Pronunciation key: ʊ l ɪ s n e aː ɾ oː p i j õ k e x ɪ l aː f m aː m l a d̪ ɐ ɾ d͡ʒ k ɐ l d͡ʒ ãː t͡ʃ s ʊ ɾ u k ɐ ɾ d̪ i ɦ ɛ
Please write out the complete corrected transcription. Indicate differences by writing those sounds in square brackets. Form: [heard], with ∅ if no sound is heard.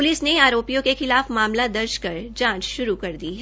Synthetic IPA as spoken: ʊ l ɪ s n e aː ɾ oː p i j õ k e x ɪ l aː f m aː m l a d̪ ɐ ɾ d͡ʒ k ɐ [ɾ] d͡ʒ ãː t͡ʃ [ʃ] ʊ ɾ u k ɐ ɾ d̪ i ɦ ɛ